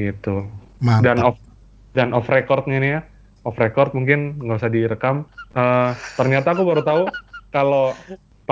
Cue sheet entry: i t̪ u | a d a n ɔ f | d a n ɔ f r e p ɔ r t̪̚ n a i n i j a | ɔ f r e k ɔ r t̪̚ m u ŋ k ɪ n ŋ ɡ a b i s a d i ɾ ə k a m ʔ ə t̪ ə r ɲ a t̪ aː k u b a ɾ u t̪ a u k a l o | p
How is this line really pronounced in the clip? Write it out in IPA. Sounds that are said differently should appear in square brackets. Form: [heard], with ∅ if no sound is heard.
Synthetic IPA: i t̪ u | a d a n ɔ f | d a n ɔ f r e [k] ɔ r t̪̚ [ɲ] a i n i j a | ɔ f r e k ɔ r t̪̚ m u ŋ k ɪ n ŋ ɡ a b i s a d i ɾ ə k a m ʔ ə t̪ ə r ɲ a t̪ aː k u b a ɾ u t̪ a u k a l o | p